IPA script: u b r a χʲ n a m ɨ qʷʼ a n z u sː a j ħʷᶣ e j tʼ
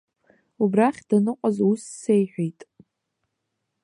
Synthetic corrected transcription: u b r a χʲ d a n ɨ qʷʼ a z u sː e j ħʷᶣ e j tʼ

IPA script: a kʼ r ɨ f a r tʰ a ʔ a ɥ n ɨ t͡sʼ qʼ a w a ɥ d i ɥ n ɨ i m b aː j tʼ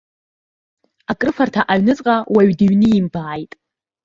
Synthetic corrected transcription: a kʼ r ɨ f a r tʰ a ʔ a ɥ n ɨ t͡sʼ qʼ a w a ɥ d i ɥ n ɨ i m b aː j tʼ

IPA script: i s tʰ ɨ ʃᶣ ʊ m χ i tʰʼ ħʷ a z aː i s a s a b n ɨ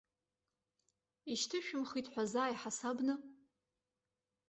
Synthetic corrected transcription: i ʃ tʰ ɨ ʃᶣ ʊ m χ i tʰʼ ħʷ a z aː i ħ a s a b n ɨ

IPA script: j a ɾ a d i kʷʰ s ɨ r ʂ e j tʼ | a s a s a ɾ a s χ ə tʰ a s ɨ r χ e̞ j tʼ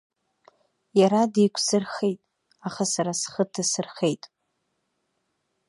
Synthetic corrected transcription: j a ɾ a d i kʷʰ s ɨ r χ e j tʼ | a χ a s a ɾ a s χ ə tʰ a s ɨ r χ e̞ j tʼ

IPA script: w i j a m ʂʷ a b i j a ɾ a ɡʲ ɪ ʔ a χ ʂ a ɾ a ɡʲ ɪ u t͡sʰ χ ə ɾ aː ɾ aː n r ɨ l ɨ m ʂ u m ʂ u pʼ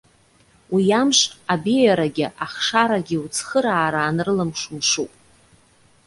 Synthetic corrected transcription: w i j a m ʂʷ a b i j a ɾ a ɡʲ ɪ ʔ a χ ʂ a ɾ a ɡʲ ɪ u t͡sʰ χ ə ɾ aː ɾ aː n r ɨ l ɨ m ʂ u m ʂ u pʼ

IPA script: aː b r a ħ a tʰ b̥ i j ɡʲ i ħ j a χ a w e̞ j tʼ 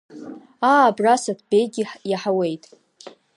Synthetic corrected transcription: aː b r a s a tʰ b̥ e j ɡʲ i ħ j a ħ a w e̞ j tʼ

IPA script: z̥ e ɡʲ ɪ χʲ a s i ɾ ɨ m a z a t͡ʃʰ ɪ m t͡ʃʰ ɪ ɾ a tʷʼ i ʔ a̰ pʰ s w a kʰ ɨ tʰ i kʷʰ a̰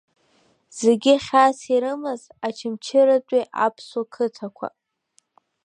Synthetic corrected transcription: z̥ e ɡʲ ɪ χʲ a s i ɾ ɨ m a z a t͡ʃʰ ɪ m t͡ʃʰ ɪ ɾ a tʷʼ i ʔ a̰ pʰ s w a kʰ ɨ tʰ a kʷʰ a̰

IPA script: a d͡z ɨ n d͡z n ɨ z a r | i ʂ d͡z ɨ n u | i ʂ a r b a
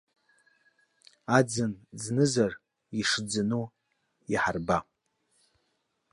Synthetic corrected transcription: a d͡z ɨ n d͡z n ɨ z a r | i ʂ d͡z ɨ n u | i ħ a r b a

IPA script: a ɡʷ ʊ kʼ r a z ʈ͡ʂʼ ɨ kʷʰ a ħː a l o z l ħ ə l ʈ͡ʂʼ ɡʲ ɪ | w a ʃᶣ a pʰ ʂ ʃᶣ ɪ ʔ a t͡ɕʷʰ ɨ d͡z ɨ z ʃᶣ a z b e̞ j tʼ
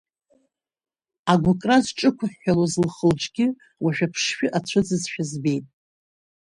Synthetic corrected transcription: a ɡʷ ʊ kʼ r a z ʈ͡ʂʼ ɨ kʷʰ a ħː a l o z l χ ə l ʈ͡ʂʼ ɡʲ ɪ | w a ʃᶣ a pʰ ʂ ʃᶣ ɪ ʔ a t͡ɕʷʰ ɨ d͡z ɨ z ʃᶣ a z b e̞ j tʼ

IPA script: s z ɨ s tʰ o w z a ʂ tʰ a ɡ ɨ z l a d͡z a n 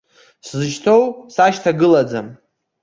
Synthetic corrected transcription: s z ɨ ʃ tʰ o w s a ʃ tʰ a ɡ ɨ l a d͡z a m

